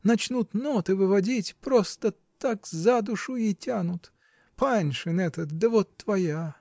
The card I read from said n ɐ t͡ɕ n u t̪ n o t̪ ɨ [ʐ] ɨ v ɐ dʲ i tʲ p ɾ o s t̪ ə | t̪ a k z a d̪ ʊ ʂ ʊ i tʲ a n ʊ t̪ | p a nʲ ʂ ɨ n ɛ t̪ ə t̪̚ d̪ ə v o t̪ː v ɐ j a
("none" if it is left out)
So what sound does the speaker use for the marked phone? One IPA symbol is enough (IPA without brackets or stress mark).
v